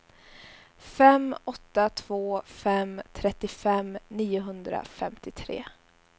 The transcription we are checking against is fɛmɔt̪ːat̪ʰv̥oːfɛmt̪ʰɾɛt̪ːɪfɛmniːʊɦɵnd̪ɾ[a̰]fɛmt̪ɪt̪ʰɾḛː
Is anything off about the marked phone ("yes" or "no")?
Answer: no